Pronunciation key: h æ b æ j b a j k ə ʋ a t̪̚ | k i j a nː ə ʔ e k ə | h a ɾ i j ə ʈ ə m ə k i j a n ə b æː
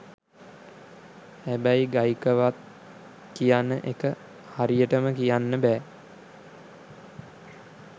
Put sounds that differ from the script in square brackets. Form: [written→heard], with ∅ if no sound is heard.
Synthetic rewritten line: h æ b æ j [b→ɡ] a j k ə ʋ a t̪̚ | k i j a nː ə ʔ e k ə | h a ɾ i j ə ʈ ə m ə k i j a [n→nː] ə b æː

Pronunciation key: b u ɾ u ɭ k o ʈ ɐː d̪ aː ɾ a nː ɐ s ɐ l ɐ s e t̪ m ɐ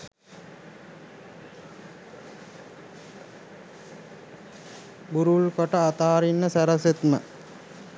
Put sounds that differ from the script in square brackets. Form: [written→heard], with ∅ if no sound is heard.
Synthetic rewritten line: b u ɾ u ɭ k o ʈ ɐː [d̪→t̪] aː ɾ [a→i] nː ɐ s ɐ [l→ɾ] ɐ s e t̪ m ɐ

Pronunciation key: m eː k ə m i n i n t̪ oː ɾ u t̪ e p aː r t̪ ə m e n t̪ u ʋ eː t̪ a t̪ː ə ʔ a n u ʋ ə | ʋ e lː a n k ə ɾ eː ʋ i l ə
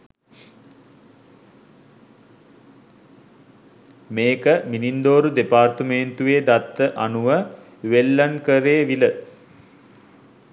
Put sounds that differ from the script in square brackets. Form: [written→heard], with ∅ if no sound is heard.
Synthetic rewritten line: m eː k ə m i n i n [t̪→d̪] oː ɾ u [t̪→d̪] e p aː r t̪ ə m e n t̪ u ʋ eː [t̪→d̪] a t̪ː ə ʔ a n u ʋ ə | ʋ e lː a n k ə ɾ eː ʋ i l ə

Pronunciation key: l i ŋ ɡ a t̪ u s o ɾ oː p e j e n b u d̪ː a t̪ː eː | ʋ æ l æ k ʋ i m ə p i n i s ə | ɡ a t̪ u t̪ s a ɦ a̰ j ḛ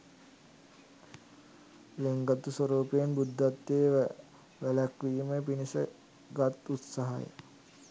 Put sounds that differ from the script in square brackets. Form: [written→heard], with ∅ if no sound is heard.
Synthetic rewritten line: l [i→e] ŋ ɡ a t̪ u s o ɾ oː p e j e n b u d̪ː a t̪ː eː | ʋ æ l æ k ʋ [i→iː] m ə p i n i s ə | ɡ a t̪ u t̪ s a ɦ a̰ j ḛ

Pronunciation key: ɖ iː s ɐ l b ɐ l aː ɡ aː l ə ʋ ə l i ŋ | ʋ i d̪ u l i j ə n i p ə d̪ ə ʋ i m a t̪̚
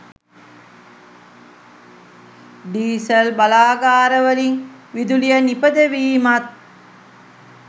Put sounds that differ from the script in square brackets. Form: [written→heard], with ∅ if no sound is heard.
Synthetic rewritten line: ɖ iː s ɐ l b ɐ l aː ɡ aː [l→ɾ] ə ʋ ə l i ŋ | ʋ i d̪ u l i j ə n i p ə d̪ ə ʋ [i→iː] m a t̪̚

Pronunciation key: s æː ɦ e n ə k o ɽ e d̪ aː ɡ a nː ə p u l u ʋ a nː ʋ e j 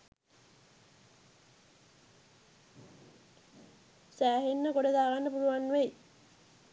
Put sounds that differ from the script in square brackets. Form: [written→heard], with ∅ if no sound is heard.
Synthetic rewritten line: s æː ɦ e [n→nː] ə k o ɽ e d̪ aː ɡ a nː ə p u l u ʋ a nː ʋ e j

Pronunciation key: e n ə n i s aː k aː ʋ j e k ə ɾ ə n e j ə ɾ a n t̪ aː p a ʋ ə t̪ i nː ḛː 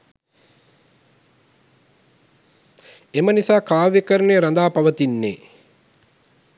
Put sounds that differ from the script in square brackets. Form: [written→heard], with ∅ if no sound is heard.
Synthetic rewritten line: e [n→m] ə n i s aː k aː ʋ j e k ə ɾ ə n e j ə ɾ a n [t̪→d̪] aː p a ʋ ə t̪ i nː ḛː

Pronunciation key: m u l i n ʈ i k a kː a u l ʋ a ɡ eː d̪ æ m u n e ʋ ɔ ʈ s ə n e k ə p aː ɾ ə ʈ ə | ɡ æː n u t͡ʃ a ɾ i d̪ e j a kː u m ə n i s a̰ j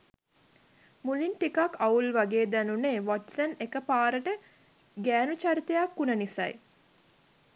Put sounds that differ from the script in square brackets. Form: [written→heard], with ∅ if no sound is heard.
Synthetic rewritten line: m u l i n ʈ i k a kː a u l ʋ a ɡ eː d̪ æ [m→n] u n e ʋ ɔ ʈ s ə n e k ə p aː ɾ ə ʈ ə | ɡ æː n u t͡ʃ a ɾ i [d̪→t̪] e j a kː u [m→n] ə n i s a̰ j

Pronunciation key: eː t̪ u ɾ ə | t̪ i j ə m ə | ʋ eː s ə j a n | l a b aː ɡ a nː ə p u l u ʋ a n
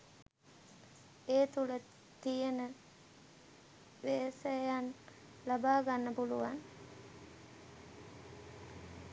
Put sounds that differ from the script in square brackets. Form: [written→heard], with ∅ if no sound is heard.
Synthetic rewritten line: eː t̪ u [ɾ→l] ə | t̪ i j ə [m→n] ə | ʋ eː s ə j a n | l a b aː ɡ a nː ə p u l u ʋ a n

